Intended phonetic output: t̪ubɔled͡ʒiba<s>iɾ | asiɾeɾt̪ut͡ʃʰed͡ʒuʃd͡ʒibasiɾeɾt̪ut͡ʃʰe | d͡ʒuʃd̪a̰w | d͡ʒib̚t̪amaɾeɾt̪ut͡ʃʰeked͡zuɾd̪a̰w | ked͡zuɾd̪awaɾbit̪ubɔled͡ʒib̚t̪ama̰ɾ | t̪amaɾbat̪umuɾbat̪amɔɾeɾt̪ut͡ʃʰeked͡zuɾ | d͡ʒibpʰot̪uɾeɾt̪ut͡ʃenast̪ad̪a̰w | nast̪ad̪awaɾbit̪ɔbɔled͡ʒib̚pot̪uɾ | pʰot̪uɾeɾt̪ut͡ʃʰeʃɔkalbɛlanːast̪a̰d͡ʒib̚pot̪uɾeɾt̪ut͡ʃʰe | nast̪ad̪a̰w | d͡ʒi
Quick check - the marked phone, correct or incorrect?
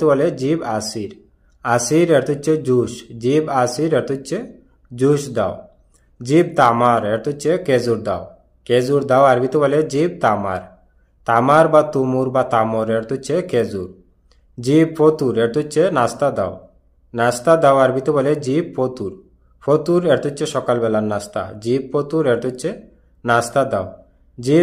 correct